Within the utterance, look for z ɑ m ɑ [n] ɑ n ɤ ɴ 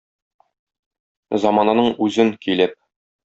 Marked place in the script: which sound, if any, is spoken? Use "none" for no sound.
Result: n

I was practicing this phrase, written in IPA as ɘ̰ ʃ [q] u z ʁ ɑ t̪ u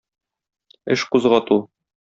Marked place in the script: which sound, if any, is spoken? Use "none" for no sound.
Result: q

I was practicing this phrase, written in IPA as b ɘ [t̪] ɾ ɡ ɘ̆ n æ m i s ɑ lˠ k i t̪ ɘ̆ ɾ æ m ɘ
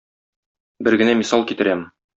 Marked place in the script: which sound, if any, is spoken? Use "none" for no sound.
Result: none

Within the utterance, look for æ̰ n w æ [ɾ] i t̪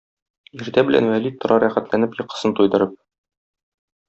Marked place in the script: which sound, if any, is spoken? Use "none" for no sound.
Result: l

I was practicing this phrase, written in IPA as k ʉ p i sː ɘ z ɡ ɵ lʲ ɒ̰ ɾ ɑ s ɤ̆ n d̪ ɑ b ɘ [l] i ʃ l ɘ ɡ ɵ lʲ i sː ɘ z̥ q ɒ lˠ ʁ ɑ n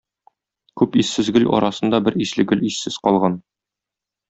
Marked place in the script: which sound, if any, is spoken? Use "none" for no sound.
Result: ɾ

